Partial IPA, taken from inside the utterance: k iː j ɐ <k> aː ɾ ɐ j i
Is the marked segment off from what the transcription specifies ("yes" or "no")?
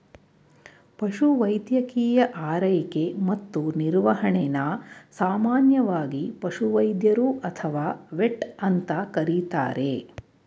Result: yes